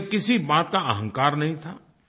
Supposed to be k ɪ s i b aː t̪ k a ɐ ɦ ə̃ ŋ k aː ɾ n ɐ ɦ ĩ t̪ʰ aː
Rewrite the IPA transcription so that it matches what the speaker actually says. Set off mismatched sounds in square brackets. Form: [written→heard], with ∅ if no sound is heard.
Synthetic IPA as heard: k ɪ s i b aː t̪ k a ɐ ɦ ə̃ ŋ k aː ɾ n ɐ ɦ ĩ t̪ʰ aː